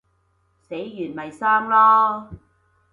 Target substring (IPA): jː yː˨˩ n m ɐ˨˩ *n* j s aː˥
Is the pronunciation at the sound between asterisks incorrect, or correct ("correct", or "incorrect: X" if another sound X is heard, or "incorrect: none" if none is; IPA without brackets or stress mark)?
incorrect: none